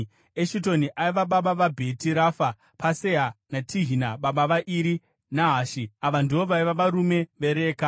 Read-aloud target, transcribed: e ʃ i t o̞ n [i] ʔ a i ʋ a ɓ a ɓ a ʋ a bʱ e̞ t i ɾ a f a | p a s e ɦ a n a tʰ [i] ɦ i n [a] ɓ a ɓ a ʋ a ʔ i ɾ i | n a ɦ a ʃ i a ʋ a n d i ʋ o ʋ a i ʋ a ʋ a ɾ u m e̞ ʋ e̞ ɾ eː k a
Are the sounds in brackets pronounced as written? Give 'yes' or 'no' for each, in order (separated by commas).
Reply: yes, yes, yes